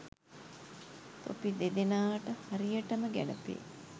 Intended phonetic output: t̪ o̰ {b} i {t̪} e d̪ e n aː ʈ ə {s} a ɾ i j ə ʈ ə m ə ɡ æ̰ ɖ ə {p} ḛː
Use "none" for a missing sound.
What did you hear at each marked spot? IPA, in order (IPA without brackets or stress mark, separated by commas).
p, d̪, h, p